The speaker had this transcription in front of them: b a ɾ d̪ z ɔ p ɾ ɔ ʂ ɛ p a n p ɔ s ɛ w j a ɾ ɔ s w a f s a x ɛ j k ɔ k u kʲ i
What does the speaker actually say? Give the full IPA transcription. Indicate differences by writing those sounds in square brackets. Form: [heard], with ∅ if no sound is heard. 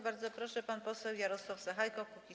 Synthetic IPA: b a ɾ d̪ z ɔ p ɾ ɔ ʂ ɛ p a n p ɔ s ɛ w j a ɾ ɔ s w a f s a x [a] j k ɔ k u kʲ i